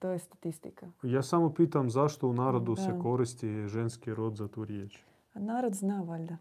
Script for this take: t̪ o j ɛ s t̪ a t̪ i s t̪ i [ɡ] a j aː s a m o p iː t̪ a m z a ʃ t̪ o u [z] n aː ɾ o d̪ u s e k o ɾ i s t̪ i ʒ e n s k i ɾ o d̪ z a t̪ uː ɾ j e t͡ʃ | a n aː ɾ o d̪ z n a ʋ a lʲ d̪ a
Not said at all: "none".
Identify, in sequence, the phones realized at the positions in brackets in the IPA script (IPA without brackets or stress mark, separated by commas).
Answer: k, none